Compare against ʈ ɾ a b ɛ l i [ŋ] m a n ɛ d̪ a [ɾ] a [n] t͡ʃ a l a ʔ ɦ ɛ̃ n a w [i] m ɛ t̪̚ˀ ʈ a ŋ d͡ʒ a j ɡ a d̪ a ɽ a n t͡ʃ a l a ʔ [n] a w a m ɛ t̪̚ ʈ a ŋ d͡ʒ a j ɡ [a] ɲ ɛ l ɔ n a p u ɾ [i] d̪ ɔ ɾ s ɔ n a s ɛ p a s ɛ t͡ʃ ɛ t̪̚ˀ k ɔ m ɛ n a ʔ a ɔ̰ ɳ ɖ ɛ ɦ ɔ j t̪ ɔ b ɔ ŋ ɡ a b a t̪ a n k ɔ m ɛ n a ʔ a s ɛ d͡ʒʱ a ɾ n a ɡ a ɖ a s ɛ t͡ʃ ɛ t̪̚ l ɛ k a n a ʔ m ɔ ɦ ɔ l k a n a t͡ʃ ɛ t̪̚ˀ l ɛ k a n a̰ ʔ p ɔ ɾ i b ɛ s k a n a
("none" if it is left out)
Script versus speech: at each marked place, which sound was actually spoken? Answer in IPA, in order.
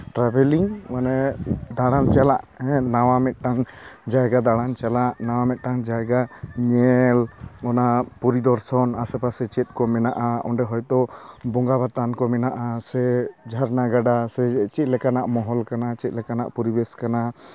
ŋ, ɽ, n, a, n, a, i

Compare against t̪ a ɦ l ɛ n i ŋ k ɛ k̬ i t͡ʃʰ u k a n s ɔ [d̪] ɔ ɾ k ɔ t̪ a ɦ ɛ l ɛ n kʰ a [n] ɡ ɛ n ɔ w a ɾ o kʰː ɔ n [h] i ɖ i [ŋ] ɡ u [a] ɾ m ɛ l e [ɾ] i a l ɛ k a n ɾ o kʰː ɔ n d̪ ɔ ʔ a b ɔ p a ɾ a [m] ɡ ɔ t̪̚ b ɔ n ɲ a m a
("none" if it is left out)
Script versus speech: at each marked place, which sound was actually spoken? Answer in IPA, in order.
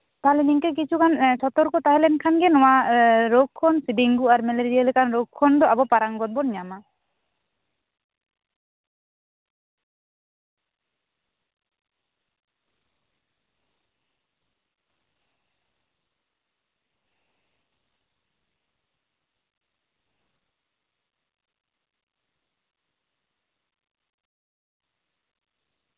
t̪, n, s, ŋ, a, ɾ, ŋ

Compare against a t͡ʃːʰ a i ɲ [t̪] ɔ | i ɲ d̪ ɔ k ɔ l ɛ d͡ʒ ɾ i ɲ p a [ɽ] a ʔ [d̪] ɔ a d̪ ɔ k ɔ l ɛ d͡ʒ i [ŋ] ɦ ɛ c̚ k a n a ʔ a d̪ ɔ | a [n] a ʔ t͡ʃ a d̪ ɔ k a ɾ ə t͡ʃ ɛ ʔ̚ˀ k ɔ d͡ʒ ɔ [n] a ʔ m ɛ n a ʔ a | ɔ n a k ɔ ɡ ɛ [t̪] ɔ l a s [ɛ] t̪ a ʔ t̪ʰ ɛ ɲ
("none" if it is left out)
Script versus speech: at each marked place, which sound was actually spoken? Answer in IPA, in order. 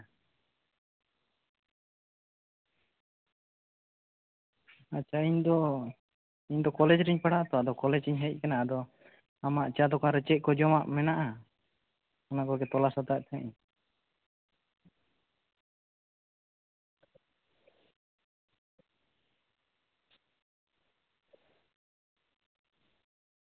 d̪, ɽ, t̪, ɲ, m, m, t̪, a

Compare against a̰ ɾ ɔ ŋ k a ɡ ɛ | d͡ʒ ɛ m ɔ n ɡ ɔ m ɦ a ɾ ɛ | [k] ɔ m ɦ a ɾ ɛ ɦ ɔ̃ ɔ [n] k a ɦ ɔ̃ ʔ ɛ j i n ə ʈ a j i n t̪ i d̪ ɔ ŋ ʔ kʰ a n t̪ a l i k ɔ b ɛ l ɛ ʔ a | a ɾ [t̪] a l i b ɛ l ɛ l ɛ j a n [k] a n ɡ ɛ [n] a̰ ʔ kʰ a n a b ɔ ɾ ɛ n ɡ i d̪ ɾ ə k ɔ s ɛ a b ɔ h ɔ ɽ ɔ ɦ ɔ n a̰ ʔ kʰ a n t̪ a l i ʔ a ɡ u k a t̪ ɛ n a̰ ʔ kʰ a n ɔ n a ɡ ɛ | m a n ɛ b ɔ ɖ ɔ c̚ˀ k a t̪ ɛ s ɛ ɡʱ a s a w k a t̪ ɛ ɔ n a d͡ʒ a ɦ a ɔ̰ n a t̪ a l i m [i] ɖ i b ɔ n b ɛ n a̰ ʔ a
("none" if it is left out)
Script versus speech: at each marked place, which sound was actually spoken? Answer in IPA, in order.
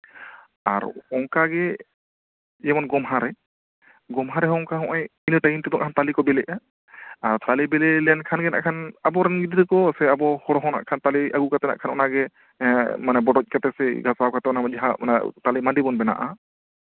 ɡ, ŋ, t̪, kʰ, n, a

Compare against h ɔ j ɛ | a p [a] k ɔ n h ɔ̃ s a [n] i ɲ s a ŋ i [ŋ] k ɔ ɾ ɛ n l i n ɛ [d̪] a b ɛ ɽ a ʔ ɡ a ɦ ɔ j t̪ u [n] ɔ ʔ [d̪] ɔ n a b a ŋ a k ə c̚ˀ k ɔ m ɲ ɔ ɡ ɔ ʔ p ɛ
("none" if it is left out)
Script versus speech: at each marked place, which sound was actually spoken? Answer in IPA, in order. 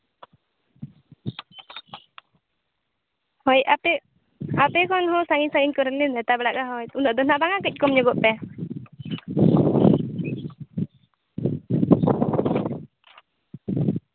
ɛ, ŋ, ɲ, t̪, n, d̪

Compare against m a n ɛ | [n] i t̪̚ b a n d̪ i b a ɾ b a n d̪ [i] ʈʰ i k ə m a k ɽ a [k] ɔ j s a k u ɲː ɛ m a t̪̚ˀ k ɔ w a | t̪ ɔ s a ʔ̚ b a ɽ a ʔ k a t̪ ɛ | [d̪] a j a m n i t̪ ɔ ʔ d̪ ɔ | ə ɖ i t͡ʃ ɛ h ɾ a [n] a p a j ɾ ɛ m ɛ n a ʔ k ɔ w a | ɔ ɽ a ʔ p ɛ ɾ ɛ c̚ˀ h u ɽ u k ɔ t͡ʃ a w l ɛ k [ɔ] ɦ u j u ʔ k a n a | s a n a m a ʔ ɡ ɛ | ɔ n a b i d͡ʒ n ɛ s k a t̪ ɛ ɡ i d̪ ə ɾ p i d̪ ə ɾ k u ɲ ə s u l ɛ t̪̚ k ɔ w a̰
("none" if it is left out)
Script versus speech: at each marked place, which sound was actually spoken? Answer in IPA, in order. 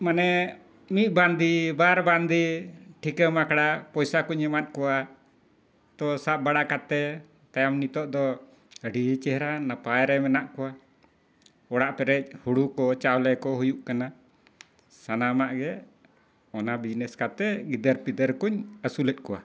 m, i, p, t̪, n, ɔ

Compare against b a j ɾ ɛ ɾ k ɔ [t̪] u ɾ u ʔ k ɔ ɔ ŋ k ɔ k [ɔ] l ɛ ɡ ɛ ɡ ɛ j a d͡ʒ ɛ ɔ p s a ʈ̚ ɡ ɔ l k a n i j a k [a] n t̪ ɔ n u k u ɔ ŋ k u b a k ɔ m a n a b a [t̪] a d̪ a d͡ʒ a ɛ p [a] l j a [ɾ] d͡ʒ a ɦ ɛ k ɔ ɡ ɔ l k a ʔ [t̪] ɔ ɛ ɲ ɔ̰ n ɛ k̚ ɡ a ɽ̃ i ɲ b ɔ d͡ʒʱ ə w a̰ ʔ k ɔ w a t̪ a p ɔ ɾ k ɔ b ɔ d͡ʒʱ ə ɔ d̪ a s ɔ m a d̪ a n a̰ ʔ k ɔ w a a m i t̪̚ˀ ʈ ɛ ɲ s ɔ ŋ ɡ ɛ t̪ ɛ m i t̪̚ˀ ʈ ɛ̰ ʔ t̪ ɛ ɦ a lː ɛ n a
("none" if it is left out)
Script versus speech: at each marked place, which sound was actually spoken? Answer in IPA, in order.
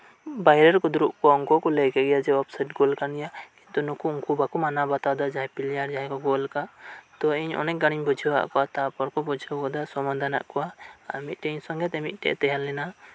d̪, ɔ, i, t̪, i, ɾ, t̪

